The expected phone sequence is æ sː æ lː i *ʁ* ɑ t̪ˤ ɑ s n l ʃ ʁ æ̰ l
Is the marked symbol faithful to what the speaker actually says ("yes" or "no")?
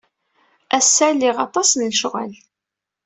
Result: yes